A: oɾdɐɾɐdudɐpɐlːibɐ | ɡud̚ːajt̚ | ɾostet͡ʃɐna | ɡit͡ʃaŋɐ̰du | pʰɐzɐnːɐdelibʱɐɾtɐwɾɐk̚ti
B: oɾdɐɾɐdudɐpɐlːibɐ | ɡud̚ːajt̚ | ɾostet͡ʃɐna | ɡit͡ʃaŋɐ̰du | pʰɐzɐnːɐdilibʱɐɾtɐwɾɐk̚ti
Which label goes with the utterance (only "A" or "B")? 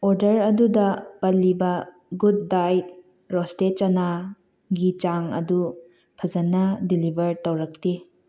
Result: B